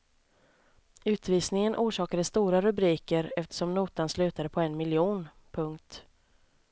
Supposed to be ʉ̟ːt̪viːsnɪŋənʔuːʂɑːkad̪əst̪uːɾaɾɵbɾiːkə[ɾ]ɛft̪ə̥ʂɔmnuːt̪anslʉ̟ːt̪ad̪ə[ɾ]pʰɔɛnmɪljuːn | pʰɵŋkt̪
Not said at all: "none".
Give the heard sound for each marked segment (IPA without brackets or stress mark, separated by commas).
ɾ, none